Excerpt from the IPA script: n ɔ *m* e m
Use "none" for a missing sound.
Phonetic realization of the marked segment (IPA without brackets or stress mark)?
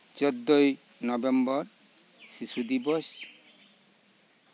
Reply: b